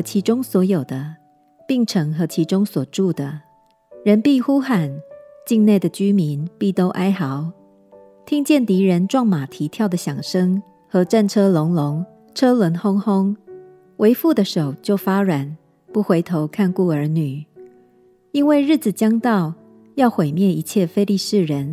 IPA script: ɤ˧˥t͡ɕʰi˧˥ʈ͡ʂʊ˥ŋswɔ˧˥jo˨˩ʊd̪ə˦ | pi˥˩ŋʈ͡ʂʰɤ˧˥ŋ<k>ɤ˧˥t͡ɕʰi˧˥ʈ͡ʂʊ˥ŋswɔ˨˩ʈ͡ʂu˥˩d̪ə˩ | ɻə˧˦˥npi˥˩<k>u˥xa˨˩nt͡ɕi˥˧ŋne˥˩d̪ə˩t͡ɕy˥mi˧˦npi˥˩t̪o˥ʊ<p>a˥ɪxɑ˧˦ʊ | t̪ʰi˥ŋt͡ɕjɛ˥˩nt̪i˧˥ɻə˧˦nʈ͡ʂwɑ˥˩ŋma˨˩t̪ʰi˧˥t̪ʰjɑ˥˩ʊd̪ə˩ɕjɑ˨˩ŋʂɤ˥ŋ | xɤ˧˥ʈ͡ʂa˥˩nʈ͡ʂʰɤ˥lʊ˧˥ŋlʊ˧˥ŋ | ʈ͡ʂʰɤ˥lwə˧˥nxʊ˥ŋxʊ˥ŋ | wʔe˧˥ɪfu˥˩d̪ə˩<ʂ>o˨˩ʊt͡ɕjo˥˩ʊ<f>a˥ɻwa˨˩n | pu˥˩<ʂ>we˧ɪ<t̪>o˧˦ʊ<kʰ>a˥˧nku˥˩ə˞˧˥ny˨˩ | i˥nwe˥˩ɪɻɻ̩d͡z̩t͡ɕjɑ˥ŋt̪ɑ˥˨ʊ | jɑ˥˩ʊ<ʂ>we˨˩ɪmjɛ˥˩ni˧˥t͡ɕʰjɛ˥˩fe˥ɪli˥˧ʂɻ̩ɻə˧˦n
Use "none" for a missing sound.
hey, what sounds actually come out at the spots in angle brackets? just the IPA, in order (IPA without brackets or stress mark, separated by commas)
x, x, ʔ, ʂ, f, x, t̪ʰ, kʰ, x